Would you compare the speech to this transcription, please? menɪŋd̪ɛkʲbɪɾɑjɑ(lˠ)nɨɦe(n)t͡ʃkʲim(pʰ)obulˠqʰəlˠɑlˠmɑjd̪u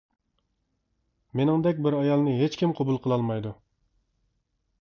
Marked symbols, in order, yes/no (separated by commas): yes, no, no